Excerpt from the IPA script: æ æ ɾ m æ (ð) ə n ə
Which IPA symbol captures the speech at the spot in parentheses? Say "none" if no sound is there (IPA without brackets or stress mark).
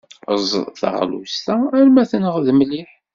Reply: θ